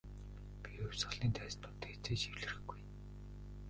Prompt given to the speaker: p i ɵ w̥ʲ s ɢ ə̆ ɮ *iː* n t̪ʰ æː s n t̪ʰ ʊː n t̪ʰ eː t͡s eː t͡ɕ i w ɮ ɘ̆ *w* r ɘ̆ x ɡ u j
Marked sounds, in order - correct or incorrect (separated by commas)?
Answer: correct, incorrect